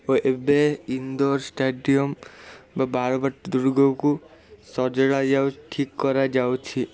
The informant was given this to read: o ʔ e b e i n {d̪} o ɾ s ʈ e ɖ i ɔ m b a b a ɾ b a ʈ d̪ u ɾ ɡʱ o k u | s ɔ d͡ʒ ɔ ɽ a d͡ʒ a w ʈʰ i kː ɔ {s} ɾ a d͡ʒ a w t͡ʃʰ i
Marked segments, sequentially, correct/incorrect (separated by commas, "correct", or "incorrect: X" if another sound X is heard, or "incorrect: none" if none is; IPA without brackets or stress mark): correct, incorrect: none